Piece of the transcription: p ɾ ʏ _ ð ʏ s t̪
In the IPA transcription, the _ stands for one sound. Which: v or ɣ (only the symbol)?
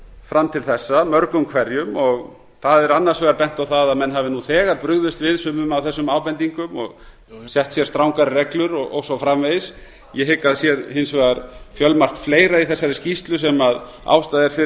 ɣ